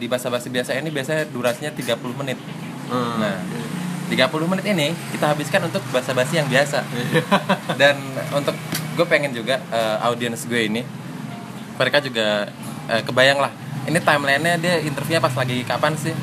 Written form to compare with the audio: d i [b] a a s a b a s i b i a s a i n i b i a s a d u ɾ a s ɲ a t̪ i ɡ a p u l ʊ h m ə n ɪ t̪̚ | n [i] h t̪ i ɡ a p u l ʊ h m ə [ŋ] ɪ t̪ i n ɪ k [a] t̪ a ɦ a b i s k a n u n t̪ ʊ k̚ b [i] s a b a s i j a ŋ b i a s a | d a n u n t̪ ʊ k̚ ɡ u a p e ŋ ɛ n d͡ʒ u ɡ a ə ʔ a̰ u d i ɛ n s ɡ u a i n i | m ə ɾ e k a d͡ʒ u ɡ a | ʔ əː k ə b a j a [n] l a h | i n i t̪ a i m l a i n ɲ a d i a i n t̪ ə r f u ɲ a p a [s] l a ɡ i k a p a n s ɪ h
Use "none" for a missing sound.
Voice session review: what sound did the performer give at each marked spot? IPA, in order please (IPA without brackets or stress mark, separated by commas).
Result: b, a, n, i, a, ŋ, s